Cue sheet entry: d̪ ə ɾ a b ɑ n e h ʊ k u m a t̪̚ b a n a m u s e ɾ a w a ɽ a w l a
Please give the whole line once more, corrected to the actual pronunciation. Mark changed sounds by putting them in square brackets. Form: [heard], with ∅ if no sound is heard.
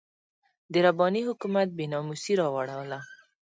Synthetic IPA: d̪ ə ɾ a b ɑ n [i] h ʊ k u m a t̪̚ b [e] n [ɑ] m u s [i] ɾ [ɑ] w a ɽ a w l a